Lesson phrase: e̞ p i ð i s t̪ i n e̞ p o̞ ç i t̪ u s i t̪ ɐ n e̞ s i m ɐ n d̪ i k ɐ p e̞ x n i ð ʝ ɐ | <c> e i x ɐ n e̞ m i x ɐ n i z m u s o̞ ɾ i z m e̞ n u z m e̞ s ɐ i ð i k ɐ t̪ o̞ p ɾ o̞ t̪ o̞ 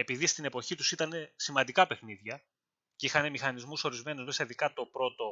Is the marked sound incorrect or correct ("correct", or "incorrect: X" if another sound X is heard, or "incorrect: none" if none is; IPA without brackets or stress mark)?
correct